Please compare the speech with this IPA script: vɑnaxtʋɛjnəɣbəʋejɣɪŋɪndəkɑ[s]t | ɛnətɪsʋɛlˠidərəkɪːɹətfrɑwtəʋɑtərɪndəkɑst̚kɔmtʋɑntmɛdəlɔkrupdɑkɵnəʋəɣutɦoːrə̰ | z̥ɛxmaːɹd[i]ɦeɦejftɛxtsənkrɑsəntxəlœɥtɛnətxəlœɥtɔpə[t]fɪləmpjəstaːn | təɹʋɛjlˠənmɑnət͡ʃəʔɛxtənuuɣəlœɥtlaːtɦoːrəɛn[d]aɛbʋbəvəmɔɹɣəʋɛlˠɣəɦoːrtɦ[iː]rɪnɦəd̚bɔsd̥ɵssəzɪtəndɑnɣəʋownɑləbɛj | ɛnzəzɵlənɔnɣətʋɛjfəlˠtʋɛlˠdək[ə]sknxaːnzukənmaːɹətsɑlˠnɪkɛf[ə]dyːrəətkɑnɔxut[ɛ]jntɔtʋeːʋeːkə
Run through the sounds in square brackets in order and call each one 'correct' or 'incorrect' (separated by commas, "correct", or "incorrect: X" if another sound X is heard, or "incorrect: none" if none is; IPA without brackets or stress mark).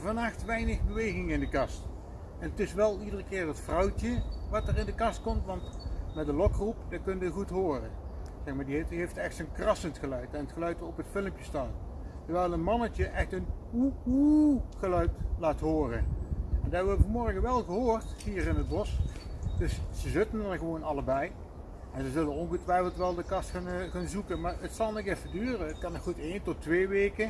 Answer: correct, correct, correct, correct, correct, incorrect: ɑ, correct, incorrect: e